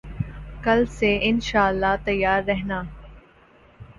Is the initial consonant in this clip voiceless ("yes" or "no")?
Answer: yes